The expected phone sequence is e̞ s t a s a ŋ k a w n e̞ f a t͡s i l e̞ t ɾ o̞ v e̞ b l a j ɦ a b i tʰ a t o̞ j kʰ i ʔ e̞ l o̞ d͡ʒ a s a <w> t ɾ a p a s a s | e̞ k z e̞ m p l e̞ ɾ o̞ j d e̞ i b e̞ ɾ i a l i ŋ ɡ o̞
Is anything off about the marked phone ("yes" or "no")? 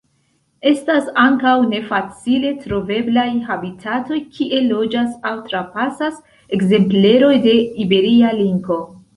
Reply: no